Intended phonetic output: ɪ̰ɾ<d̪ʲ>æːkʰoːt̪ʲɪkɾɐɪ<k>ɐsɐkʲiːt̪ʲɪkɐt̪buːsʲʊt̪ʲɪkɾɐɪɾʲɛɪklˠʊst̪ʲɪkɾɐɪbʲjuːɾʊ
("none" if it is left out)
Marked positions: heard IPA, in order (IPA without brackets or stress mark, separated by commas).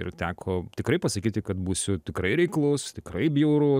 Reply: t̪ʲ, p